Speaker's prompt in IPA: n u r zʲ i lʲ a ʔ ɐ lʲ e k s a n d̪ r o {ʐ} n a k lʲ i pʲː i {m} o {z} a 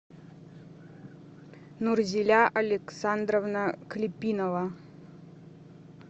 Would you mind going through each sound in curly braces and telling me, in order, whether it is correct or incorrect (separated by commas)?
incorrect, incorrect, incorrect